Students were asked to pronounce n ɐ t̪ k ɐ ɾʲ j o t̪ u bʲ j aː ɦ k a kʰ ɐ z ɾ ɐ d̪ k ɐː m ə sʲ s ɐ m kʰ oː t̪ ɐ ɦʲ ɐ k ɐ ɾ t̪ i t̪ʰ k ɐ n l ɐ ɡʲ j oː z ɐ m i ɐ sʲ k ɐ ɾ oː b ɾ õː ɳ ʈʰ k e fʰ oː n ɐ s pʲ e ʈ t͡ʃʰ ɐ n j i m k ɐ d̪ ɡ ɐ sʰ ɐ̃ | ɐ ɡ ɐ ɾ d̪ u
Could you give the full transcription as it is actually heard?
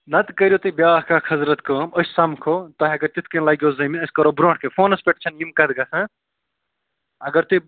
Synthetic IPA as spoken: n ɐ t̪ k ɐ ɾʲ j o t̪ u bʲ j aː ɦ k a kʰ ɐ z ɾ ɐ t̪ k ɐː m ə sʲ s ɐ m kʰ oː t̪ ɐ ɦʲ ɐ ɡ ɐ ɾ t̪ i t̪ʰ k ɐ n l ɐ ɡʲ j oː z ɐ m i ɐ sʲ k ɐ ɾ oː b ɾ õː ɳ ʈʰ k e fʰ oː n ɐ s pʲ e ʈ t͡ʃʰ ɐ n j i m k ɐ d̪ ɡ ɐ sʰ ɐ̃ | ɐ ɡ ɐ ɾ t̪ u